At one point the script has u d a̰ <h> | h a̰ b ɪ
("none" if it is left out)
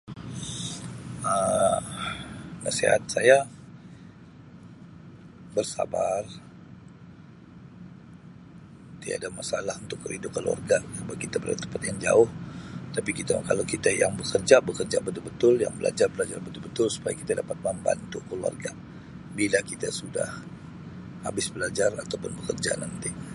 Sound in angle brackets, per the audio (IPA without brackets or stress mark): h